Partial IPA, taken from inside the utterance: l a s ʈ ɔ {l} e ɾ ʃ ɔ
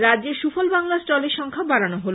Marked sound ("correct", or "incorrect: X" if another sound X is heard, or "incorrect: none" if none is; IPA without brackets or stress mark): correct